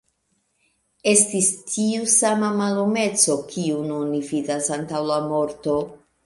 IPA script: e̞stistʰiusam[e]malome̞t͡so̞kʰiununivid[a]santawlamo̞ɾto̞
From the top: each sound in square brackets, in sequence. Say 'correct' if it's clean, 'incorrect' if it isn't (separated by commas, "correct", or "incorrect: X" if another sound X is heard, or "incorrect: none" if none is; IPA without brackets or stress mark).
incorrect: a, correct